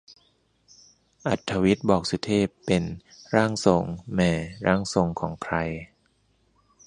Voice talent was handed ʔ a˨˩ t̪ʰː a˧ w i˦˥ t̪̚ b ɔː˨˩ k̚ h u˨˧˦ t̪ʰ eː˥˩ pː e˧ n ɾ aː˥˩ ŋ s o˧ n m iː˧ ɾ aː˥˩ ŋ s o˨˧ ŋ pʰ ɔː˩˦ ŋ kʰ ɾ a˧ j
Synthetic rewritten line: ʔ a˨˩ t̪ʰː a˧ w i˦˥ t̪̚ b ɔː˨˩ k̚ s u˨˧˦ t̪ʰ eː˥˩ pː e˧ n ɾ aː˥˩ ŋ s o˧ ŋ m ɛː˧ ɾ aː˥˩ ŋ s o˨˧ ŋ kʰ ɔː˩˦ ŋ kʰ ɾ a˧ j

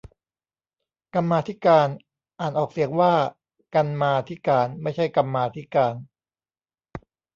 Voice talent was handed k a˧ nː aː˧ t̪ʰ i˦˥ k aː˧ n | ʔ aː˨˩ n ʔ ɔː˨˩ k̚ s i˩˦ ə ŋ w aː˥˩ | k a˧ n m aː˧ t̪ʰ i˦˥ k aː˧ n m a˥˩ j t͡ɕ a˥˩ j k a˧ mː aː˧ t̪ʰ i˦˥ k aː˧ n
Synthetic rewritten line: k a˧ mː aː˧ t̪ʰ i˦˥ k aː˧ n | ʔ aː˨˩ n ʔ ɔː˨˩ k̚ s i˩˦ ə ŋ w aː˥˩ | k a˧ n m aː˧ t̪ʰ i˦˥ k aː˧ n m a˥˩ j t͡ɕʰ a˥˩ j k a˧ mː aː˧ t̪ʰ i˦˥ k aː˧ n

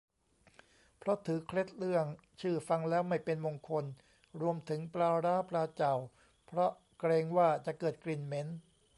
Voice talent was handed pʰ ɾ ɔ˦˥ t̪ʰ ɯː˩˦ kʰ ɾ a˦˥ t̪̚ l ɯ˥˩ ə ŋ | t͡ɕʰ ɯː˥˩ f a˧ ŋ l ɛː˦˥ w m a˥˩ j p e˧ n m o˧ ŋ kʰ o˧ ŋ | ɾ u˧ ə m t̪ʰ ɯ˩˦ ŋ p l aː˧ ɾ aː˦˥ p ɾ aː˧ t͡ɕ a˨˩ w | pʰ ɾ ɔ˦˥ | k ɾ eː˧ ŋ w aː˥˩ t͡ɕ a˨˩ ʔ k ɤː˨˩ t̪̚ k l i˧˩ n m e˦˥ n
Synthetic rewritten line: pʰ ɾ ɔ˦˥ t̪ʰ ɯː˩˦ kʰ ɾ e˦˥ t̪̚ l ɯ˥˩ ə ŋ | t͡ɕʰ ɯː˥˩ f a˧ ŋ l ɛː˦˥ w m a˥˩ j p e˧ n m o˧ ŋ kʰ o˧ n | ɾ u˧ ə m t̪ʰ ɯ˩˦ ŋ p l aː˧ ɾ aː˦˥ p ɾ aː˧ t͡ɕ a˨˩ w | pʰ ɾ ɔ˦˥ | k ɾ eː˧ ŋ w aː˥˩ t͡ɕ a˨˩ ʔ k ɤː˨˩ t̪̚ k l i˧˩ n m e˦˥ n

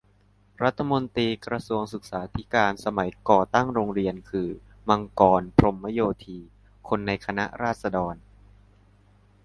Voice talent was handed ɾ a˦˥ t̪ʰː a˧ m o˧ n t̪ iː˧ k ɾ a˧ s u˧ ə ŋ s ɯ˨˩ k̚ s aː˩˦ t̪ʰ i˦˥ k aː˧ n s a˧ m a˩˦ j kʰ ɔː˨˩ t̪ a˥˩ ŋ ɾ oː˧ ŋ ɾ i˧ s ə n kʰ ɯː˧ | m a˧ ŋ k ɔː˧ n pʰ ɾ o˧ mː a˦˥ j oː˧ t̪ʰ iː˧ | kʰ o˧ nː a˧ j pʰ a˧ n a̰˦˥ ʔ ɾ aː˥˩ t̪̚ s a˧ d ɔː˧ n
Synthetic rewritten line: ɾ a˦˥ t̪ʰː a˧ m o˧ n t̪ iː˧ k ɾ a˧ s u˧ ə ŋ s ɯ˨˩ k̚ s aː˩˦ t̪ʰ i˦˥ k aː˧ n s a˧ m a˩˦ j k ɔː˨˩ t̪ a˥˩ ŋ ɾ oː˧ ŋ ɾ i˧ ə n kʰ ɯː˧ | m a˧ ŋ k ɔː˧ n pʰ ɾ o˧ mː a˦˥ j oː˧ t̪ʰ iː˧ | kʰ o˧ nː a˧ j kʰ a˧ n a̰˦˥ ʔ ɾ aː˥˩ t̪̚ s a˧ d ɔː˧ n

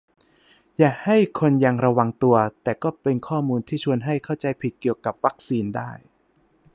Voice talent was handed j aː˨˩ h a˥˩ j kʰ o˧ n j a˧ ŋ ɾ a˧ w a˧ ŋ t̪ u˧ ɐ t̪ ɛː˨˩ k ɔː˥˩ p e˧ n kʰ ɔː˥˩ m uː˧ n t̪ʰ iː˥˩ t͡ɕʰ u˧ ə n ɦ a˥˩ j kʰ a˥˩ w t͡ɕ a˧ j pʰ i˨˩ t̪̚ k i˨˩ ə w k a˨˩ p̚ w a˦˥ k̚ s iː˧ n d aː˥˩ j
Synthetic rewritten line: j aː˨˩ h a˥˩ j kʰ o˧ n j a˧ ŋ ɾ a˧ w a˧ ŋ t̪ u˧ ɐ t̪ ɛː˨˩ k ɔː˥˩ p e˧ n kʰ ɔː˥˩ m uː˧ n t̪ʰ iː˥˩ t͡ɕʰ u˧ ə n ɦ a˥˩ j kʰ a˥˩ w t͡ɕ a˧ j pʰ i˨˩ t̪̚ k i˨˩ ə w k a˨˩ p̚ w a˦˥ k̚ s iː˧ n d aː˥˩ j

